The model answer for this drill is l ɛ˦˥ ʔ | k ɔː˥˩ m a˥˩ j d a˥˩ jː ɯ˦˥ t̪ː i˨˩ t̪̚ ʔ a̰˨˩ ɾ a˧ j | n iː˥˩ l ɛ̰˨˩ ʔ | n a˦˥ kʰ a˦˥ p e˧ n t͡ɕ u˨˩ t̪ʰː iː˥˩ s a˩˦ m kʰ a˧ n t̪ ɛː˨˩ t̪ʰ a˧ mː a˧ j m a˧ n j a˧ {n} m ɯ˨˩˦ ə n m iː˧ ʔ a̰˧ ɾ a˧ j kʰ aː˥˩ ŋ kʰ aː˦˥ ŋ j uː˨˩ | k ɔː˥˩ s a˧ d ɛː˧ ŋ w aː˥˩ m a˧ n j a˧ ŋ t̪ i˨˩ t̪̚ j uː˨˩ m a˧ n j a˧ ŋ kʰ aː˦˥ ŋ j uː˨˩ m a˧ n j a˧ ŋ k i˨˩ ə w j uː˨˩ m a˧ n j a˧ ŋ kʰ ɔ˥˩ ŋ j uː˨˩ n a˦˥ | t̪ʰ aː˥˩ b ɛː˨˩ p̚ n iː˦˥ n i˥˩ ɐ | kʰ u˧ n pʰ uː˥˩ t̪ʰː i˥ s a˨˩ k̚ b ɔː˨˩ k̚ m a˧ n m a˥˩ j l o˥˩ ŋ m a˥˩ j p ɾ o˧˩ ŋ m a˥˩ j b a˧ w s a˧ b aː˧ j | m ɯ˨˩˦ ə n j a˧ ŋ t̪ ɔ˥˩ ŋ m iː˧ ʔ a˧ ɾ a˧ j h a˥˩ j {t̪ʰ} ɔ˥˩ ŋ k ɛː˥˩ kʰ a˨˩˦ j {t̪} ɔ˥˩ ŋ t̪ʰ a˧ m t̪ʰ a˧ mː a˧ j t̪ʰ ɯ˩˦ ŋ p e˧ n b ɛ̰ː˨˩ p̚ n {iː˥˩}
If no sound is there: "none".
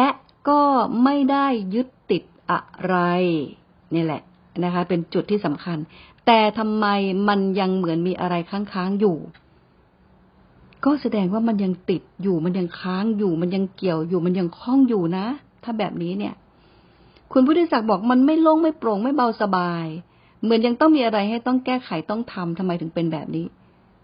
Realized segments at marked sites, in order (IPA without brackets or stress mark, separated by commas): ŋ, t̪, t̪, iː˦˥